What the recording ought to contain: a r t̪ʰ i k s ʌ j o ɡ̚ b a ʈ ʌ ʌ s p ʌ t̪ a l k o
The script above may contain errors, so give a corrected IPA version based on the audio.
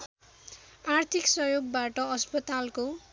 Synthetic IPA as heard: a r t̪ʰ i k s ʌ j o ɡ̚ b a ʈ ʌ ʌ s p ʌ t̪ a l k o